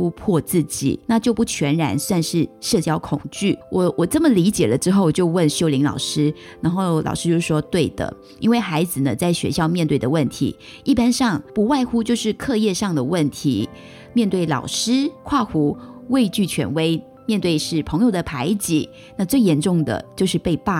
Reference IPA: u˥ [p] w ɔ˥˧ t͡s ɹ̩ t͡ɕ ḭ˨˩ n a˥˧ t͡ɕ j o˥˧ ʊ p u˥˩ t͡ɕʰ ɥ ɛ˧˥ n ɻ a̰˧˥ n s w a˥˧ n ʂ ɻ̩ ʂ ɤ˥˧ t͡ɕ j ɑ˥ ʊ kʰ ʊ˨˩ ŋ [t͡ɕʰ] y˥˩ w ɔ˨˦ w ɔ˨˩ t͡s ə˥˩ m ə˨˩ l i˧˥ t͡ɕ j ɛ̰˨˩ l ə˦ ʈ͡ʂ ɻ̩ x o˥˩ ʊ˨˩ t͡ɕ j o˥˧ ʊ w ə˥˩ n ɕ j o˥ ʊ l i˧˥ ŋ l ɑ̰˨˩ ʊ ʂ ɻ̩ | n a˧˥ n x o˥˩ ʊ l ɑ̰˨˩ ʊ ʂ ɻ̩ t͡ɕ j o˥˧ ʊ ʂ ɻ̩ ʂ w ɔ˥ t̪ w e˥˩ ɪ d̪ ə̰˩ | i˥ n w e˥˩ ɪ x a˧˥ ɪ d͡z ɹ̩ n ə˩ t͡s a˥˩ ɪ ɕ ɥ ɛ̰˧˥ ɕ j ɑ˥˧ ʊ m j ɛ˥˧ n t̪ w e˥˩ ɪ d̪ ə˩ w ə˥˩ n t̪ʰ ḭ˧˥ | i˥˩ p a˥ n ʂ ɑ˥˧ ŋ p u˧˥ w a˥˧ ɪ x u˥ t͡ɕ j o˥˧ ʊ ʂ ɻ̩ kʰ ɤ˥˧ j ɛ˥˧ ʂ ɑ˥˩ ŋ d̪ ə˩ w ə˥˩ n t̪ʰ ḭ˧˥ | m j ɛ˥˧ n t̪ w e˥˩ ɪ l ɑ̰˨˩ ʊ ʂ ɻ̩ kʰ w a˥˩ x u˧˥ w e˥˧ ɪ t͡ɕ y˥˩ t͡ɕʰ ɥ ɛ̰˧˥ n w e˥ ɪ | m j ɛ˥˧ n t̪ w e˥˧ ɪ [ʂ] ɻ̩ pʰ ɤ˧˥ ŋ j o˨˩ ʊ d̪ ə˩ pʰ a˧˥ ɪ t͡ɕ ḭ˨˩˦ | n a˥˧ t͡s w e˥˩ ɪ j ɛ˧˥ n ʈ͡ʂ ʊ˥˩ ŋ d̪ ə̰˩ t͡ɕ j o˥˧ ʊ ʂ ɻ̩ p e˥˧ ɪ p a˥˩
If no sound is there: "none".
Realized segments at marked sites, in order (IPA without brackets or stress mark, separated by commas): pʰ, t͡ɕ, ʂ